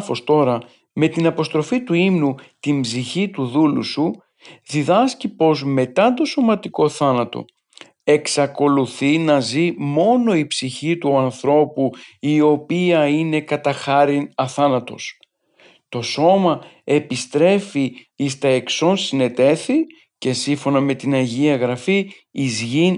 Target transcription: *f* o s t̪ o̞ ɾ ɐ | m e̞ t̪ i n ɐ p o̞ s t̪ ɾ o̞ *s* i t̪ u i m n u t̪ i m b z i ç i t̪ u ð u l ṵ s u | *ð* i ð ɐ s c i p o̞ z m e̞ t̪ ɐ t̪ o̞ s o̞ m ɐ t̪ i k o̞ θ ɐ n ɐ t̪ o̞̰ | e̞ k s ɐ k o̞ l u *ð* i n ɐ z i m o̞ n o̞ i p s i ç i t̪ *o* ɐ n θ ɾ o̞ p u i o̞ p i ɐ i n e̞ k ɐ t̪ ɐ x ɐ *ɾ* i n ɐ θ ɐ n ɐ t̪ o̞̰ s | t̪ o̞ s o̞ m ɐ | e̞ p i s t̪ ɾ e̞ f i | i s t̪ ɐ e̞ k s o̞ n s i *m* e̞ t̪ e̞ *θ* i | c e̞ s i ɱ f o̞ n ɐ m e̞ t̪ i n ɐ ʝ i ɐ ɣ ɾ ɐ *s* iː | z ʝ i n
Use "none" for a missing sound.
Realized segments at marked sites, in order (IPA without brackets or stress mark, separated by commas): f, f, ð, θ, u, ɾ, n, θ, f